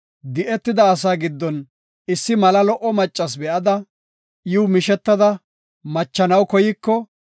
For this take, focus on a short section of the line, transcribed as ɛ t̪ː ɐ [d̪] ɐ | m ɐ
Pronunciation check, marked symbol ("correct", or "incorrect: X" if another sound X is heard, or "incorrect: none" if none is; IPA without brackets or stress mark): correct